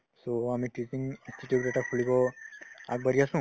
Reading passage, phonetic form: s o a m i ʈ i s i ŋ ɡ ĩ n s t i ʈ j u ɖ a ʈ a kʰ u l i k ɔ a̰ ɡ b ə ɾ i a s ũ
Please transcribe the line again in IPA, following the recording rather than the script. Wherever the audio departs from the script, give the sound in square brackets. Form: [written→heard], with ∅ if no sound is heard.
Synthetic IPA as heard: s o a m i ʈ i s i ŋ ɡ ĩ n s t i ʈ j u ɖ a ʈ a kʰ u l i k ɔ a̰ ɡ b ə ɾ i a s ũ